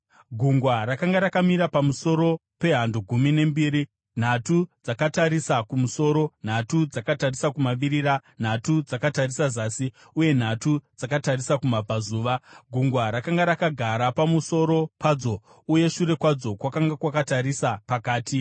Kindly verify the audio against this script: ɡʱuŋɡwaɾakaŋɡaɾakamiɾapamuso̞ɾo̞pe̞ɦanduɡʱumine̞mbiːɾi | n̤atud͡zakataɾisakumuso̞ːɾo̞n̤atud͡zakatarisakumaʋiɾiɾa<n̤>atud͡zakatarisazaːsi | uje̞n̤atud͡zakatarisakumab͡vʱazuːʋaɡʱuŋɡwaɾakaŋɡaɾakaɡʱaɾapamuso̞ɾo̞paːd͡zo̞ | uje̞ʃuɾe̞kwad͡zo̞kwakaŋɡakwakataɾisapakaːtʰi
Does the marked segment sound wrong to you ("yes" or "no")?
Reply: no